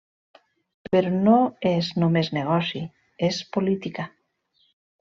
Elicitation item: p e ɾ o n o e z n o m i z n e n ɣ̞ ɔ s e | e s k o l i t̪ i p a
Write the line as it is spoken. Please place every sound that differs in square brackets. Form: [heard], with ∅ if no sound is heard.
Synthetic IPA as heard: p e ɾ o n o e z n o m [e] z n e [∅] ɣ̞ ɔ s [i] | e s [p] o l i t̪ i [k] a